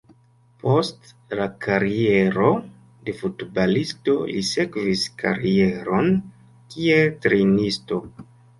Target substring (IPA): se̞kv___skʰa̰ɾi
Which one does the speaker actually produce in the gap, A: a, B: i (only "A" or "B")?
B